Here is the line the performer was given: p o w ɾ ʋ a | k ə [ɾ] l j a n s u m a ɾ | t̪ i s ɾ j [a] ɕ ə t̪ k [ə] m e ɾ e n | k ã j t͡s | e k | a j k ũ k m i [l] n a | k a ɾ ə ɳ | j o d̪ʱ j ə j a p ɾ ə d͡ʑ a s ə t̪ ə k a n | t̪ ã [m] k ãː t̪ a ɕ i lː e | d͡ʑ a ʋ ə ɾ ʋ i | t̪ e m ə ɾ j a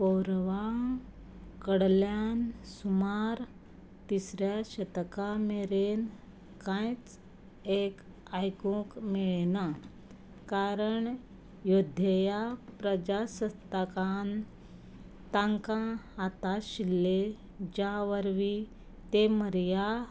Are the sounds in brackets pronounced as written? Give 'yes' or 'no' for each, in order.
no, yes, no, no, no

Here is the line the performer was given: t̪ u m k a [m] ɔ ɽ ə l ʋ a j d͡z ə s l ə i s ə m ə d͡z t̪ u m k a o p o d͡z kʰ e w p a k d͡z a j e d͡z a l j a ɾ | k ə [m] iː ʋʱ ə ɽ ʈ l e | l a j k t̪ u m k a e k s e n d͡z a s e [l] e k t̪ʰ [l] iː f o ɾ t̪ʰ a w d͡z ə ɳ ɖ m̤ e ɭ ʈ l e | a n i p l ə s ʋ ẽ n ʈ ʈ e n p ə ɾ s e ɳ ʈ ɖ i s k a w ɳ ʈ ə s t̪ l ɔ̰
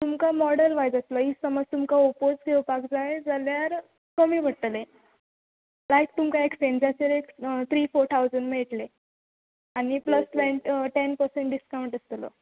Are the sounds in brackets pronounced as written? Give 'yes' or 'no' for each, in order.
yes, yes, no, no

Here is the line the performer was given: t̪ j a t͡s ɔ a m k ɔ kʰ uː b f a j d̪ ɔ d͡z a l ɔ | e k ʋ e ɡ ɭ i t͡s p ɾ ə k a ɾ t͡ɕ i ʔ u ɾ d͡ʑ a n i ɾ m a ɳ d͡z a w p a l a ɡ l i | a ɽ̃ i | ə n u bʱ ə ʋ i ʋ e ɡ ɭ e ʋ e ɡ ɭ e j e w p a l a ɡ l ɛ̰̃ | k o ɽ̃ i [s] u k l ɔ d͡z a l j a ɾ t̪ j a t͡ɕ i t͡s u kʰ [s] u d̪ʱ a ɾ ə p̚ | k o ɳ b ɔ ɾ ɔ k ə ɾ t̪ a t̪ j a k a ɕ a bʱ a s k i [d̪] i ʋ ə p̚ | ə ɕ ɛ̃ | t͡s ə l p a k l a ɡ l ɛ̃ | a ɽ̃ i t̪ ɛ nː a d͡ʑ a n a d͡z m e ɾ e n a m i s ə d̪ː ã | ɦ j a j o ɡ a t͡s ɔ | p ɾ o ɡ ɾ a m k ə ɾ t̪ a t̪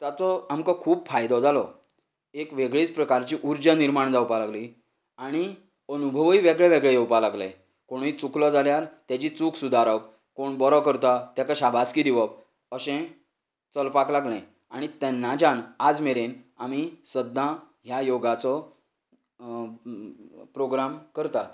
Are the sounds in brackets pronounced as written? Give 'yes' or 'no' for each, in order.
no, yes, yes

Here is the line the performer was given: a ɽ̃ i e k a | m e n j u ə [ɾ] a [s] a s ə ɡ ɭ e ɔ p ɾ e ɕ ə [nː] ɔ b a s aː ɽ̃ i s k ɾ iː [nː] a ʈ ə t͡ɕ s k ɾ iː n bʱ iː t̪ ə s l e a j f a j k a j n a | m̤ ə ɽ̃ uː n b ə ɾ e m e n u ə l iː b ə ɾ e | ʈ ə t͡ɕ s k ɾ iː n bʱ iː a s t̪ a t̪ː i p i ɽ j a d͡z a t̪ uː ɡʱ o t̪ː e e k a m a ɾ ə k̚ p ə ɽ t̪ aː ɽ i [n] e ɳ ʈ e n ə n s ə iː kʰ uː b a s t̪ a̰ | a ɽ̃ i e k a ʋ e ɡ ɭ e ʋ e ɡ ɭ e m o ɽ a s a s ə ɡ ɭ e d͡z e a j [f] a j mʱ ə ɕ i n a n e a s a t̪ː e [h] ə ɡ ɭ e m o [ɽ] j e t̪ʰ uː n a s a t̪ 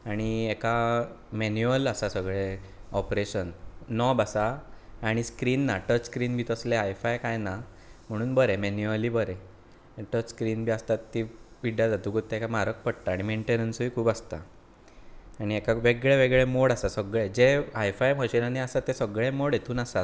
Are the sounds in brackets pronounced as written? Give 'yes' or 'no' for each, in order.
no, yes, yes, yes, no, yes, no, yes

